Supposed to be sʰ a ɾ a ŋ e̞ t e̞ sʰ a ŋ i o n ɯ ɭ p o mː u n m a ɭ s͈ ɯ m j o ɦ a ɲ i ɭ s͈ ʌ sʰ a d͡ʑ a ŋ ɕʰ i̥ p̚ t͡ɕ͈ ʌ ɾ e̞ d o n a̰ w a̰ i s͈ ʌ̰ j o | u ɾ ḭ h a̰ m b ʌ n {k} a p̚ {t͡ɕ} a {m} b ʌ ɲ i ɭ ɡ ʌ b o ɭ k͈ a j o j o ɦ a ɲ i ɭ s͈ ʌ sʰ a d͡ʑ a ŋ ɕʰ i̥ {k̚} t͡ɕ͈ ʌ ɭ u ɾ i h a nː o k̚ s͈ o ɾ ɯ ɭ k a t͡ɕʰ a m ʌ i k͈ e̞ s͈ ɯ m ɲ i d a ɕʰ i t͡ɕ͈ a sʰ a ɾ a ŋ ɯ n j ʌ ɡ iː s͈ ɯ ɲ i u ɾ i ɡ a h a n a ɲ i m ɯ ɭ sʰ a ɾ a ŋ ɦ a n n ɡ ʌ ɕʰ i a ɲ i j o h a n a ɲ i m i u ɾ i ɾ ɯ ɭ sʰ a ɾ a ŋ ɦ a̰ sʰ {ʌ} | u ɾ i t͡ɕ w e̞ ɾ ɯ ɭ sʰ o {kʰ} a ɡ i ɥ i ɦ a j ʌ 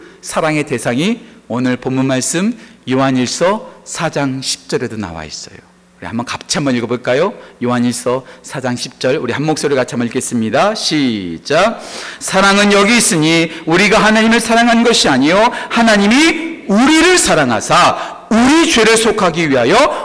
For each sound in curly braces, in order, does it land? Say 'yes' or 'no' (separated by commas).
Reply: yes, no, yes, no, no, yes